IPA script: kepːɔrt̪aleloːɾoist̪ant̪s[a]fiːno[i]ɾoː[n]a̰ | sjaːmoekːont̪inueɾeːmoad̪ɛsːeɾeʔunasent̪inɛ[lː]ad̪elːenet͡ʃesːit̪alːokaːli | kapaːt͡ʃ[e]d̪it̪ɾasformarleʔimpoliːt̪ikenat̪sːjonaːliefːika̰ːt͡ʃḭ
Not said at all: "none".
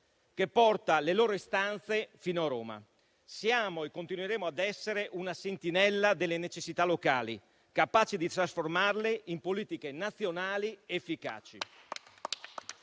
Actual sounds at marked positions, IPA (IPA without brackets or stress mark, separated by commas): e, a, m, lː, i